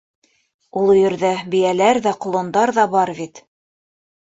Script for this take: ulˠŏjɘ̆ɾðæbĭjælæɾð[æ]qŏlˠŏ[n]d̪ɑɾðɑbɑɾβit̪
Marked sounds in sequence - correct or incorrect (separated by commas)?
correct, correct